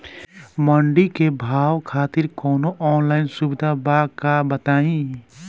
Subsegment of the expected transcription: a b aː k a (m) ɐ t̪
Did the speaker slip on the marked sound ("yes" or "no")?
yes